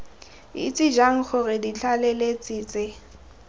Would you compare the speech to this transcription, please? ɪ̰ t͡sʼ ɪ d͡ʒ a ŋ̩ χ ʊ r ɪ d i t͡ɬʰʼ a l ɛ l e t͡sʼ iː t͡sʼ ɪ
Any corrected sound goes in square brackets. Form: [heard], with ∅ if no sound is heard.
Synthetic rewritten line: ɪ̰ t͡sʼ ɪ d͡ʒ a ŋ̩ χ ʊ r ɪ d i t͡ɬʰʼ a l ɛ l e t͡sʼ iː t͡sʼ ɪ